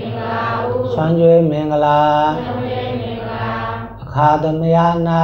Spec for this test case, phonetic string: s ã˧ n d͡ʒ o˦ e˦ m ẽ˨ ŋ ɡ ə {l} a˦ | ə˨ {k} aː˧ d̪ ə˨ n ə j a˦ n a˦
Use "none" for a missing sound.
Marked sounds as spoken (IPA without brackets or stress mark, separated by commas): l, kʰ